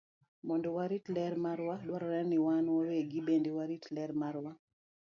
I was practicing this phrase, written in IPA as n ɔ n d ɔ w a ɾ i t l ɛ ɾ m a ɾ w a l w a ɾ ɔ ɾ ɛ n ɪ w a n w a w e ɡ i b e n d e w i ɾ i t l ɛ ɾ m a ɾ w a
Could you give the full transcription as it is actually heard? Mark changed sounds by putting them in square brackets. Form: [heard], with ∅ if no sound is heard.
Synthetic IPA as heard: [m] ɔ n d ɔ w a ɾ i t l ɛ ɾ m a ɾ w a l w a ɾ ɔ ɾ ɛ n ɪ w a n w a w e ɡ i b e n d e w [a] ɾ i t l ɛ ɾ m a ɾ w a